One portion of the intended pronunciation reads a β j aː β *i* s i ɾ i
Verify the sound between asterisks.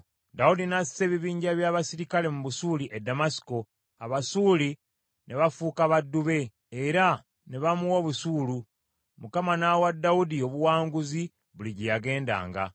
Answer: incorrect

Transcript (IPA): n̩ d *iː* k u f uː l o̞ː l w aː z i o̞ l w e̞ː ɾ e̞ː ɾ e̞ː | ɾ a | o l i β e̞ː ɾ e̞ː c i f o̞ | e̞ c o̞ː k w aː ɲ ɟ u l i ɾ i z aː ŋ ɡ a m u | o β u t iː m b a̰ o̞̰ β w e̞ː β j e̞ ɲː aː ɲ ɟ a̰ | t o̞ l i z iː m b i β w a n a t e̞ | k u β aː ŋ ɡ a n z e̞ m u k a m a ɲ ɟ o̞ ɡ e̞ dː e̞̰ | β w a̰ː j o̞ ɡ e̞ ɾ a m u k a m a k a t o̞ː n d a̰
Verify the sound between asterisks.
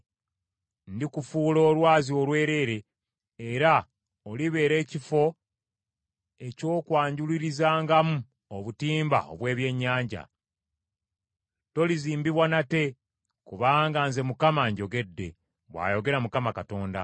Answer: incorrect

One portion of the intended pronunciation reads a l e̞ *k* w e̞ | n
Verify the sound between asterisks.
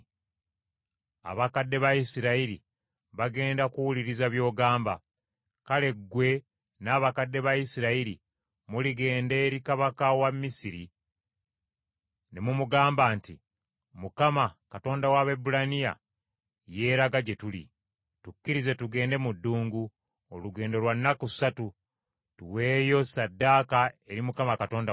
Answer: incorrect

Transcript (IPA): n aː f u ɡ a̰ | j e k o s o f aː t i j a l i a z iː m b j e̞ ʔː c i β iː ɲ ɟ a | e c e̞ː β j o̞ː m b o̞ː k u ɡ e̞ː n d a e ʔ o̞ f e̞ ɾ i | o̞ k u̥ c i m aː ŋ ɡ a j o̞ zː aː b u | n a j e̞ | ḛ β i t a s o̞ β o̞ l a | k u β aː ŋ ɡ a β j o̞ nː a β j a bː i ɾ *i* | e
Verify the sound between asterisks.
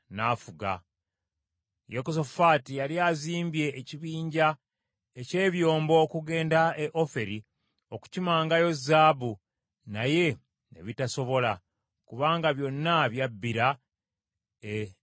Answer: incorrect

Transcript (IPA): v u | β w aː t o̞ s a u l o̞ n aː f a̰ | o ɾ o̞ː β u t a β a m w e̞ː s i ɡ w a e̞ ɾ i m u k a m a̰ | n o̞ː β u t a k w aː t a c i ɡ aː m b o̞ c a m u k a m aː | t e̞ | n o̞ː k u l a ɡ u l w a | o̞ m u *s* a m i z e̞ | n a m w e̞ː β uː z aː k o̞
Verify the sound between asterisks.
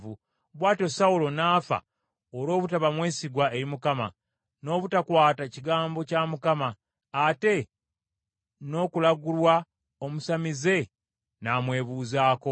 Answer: correct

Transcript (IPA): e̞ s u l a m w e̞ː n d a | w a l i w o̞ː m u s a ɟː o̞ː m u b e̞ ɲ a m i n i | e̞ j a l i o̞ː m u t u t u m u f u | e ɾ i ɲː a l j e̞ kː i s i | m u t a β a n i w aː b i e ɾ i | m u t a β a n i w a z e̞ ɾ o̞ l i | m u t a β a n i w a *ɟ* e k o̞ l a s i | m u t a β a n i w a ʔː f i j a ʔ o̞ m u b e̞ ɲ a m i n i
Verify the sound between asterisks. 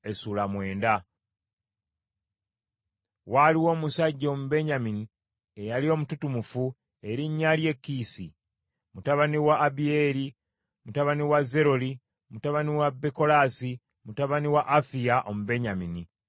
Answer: incorrect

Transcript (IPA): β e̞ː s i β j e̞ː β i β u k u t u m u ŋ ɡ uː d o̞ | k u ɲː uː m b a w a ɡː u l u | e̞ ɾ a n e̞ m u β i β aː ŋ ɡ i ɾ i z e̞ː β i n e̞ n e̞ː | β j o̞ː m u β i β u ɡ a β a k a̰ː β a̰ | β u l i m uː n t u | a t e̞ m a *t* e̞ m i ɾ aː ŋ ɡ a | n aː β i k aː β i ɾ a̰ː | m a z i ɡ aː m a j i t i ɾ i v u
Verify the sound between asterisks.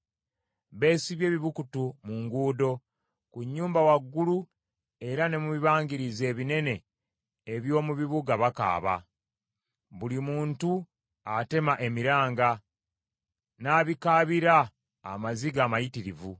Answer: incorrect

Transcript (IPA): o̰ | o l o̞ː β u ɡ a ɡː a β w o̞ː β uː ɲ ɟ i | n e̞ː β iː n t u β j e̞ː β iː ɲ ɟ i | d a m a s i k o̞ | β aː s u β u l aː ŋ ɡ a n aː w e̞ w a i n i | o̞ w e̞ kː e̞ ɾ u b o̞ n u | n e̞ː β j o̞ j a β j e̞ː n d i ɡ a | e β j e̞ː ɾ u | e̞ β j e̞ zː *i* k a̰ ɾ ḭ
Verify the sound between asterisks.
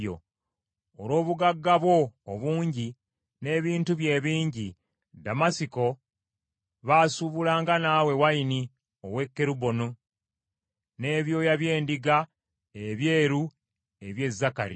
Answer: incorrect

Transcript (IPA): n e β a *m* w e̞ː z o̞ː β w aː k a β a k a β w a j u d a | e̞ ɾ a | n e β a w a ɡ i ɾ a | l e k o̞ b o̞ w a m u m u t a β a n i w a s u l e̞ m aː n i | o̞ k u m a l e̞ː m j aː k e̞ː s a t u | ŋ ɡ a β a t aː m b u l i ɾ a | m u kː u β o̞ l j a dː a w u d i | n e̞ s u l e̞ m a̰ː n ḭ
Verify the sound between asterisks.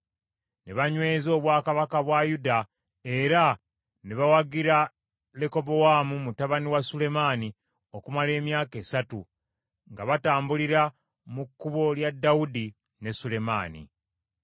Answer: incorrect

